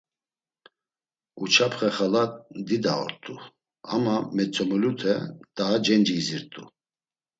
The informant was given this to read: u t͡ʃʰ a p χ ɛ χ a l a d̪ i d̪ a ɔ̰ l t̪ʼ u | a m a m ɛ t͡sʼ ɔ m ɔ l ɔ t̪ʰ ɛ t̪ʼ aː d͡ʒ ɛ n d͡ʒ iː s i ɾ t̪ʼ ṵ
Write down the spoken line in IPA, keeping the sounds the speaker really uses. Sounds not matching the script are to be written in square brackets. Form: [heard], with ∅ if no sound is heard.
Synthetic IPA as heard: u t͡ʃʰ a p χ ɛ χ a l a d̪ i d̪ a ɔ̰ [ɾ] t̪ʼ u | a m a m ɛ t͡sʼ ɔ m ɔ l [u] t̪ʰ ɛ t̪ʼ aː d͡ʒ ɛ n d͡ʒ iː [z] i ɾ t̪ʼ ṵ